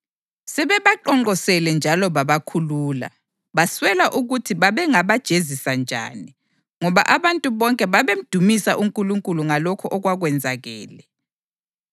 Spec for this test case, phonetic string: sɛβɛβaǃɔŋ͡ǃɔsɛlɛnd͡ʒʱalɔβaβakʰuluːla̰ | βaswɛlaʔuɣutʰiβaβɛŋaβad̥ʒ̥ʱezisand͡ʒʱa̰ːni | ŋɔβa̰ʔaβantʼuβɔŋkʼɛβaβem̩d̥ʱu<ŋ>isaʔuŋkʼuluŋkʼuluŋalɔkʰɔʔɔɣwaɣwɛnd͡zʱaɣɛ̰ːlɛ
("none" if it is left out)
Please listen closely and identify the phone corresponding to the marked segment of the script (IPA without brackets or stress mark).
m